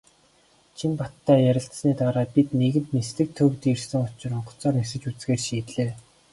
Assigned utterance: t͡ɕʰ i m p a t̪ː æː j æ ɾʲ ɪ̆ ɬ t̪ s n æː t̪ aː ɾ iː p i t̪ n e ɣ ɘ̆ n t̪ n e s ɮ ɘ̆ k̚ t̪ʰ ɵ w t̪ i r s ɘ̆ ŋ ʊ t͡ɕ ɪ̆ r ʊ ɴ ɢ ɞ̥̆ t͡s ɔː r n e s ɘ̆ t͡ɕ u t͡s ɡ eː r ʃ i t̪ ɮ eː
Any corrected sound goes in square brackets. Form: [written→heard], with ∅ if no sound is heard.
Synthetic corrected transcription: t͡ɕʰ i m p a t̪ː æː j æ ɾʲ ɪ̆ ɬ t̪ s n [æː→iː] t̪ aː ɾ [iː→aː] p i t̪ n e ɣ ɘ̆ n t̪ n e s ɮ ɘ̆ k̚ t̪ʰ ɵ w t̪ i r s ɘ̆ ŋ ʊ t͡ɕ ɪ̆ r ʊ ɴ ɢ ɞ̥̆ t͡s ɔː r n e s ɘ̆ t͡ɕ u t͡s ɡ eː r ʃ [i→iː] t̪ ɮ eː

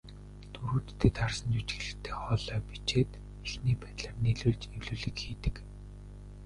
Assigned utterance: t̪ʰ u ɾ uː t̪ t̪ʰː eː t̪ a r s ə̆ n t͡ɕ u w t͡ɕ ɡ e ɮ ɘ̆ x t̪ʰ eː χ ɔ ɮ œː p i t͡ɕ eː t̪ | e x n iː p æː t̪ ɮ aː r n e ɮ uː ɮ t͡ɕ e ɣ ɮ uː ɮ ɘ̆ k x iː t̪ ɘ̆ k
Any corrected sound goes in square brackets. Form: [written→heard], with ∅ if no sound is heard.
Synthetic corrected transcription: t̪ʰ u ɾ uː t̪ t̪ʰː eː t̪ a r s ə̆ n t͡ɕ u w t͡ɕ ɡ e ɮ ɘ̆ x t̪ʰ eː χ ɔ ɮ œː p i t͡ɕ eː t̪ | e x n iː p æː t̪ ɮ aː r n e ɮ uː ɮ t͡ɕ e [ɣ→w] ɮ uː ɮ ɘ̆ k x iː t̪ ɘ̆ k

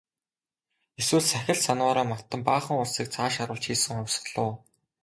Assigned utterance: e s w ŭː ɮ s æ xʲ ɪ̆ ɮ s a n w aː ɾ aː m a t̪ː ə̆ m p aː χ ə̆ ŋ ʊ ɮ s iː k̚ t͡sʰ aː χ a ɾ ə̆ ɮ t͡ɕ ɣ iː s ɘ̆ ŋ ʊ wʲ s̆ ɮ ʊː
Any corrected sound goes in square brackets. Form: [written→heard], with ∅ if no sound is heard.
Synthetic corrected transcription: e s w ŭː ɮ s æ xʲ ɪ̆ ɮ s a n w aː ɾ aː m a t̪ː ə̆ m p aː χ ə̆ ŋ ʊ ɮ s iː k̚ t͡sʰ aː [χ→ʃ] a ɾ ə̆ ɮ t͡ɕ [ɣ→x] iː s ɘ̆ ŋ ʊ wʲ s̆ ɮ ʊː

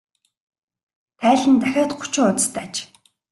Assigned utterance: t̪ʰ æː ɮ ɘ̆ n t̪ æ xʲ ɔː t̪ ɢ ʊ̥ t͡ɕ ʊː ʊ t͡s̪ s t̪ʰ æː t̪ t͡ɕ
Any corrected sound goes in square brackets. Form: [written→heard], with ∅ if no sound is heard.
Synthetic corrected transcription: t̪ʰ æː ɮ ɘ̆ n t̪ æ xʲ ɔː t̪ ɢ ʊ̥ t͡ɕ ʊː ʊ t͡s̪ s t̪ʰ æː [t̪→∅] t͡ɕ

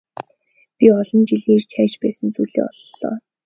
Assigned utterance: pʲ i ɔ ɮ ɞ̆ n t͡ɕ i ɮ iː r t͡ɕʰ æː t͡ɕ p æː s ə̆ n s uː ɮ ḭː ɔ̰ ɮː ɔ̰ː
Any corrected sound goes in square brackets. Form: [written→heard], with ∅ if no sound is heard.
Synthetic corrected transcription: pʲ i ɔ ɮ ɞ̆ n t͡ɕ i ɮ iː r t͡ɕʰ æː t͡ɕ p æː s ə̆ n [s→t͡s] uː ɮ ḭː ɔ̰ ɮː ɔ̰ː

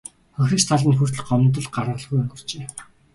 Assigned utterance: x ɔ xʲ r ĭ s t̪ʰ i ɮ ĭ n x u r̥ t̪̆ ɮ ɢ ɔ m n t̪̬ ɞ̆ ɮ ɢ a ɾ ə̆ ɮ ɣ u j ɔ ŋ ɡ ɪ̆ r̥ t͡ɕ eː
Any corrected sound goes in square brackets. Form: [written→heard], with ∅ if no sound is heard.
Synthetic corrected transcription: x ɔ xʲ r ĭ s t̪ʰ [i→a] ɮ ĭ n x u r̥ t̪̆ ɮ ɢ ɔ m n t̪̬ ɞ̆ ɮ ɢ a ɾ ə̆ ɮ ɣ u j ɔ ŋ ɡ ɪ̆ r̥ t͡ɕ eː

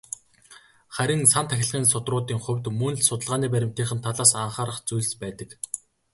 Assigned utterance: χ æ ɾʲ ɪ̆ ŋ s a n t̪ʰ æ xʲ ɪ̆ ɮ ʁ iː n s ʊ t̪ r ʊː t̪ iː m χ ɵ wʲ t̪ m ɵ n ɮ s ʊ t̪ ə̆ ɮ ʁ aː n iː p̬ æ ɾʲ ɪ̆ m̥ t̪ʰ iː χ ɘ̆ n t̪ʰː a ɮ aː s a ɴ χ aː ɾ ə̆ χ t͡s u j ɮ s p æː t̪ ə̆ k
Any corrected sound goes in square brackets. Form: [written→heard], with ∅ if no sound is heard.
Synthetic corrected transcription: χ æ ɾʲ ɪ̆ ŋ s a n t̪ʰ æ xʲ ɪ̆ ɮ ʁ iː n s ʊ t̪ r ʊː t̪ iː [m→ŋ] χ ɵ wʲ t̪ m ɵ n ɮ s ʊ t̪ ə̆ ɮ ʁ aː n iː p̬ æ ɾʲ ɪ̆ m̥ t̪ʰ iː χ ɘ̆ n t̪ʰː a ɮ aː s a ɴ χ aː ɾ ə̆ χ t͡s u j ɮ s p æː t̪ ə̆ k

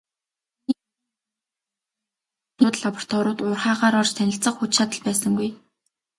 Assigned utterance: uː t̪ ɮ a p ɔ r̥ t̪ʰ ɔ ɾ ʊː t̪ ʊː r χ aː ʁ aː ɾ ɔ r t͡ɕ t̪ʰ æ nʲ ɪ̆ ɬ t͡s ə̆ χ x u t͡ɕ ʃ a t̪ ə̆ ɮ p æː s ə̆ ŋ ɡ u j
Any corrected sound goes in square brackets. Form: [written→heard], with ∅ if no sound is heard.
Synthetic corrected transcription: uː t̪ ɮ a p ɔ r̥ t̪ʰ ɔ ɾ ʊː t̪ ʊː r χ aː ʁ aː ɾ ɔ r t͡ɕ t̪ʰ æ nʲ ɪ̆ ɬ t͡s ə̆ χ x u t͡ɕ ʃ a t̪ ə̆ ɮ p æː s ə̆ ŋ ɡ u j

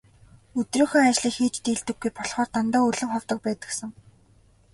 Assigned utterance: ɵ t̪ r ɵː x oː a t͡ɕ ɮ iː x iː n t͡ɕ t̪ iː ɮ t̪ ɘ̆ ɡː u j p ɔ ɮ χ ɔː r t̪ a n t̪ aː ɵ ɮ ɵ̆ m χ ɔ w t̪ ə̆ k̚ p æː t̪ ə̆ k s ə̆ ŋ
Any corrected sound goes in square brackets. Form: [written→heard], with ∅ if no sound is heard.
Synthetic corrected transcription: ɵ t̪ r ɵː x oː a t͡ɕ ɮ iː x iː [n→∅] t͡ɕ t̪ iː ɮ t̪ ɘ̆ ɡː u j p ɔ ɮ χ ɔː r t̪ a n t̪ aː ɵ ɮ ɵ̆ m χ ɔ w t̪ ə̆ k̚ p æː t̪ ə̆ k s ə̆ ŋ

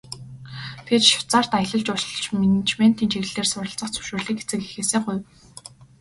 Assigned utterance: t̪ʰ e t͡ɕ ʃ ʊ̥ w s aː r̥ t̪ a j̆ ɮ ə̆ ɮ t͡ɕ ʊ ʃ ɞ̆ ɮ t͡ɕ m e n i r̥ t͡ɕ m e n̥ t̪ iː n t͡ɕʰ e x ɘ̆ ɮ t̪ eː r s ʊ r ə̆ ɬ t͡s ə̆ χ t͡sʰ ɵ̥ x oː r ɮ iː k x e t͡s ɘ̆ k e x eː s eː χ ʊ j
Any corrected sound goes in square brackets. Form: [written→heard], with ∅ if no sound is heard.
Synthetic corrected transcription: t̪ʰ e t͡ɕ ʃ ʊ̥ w [s→t͡s] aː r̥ t̪ a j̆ ɮ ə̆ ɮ t͡ɕ ʊ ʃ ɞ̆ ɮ t͡ɕ m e n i [r̥→∅] t͡ɕ m e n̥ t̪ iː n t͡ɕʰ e [x→ɣ] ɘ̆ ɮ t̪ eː r s ʊ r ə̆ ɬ t͡s ə̆ χ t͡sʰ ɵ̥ [x→ʃ] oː r ɮ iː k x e t͡s ɘ̆ k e x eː s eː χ ʊ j

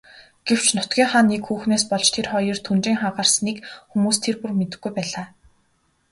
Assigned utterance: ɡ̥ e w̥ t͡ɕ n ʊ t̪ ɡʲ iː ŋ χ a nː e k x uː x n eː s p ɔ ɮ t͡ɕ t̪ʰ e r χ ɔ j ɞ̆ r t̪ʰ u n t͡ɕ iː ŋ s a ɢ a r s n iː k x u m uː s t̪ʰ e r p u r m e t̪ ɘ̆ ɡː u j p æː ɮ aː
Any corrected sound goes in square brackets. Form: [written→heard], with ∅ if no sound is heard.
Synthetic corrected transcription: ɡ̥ e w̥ t͡ɕ n ʊ t̪ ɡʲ iː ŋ χ a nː e k x uː x n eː s p ɔ ɮ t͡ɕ t̪ʰ e r χ ɔ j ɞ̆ r t̪ʰ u n t͡ɕ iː ŋ [s→χ] a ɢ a r s n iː k x u m uː s t̪ʰ e r p u r m e t̪ ɘ̆ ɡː u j p æː ɮ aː

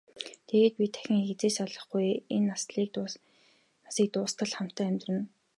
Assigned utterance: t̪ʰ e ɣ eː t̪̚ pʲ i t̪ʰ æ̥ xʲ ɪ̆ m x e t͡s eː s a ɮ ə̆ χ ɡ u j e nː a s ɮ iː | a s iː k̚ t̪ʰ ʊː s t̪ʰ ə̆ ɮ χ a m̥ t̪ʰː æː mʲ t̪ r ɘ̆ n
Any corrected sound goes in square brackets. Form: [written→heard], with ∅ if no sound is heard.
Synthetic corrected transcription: t̪ʰ e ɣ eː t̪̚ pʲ i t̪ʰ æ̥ xʲ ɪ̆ [m→ŋ] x e t͡s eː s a ɮ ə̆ χ ɡ u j e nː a s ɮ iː | a s iː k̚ [t̪ʰ→t̪] ʊː s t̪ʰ ə̆ ɮ χ a m̥ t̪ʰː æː mʲ t̪ r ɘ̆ n

